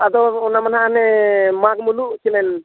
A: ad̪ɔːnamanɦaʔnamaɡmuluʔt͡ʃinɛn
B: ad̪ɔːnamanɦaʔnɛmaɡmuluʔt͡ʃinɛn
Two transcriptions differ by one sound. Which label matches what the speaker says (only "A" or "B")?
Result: B